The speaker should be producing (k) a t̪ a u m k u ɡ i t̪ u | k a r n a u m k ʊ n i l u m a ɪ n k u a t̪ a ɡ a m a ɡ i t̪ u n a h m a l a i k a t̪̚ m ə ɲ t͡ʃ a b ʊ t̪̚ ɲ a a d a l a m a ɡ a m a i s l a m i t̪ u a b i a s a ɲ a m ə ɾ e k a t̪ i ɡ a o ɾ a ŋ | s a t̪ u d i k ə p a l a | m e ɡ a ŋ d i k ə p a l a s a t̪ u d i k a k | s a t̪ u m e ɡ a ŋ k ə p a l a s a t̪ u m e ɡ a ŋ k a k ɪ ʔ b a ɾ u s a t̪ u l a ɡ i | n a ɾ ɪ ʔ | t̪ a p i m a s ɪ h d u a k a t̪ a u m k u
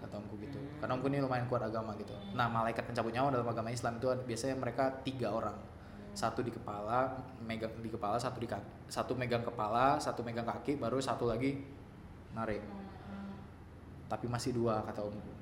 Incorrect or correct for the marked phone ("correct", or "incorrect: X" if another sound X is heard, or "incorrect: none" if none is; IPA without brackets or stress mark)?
correct